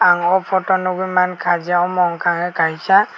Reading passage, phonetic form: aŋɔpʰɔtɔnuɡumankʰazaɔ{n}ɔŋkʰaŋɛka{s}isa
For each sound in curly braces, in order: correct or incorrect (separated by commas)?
incorrect, incorrect